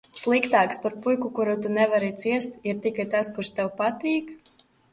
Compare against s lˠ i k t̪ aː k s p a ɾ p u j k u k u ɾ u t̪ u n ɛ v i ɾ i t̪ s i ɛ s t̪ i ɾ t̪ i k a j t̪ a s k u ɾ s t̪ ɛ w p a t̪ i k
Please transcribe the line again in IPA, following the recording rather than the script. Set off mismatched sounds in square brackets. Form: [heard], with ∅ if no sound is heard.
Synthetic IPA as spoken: s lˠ i k t̪ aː k s p a ɾ p u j k u k u ɾ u t̪ u n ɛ v [a] ɾ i t̪ s i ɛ s t̪ i ɾ t̪ i k a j t̪ a s k u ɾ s t̪ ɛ w p a t̪ [iː] k